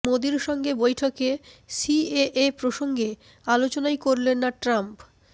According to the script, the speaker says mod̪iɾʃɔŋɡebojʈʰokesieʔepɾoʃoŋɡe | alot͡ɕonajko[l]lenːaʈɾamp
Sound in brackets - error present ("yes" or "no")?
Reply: yes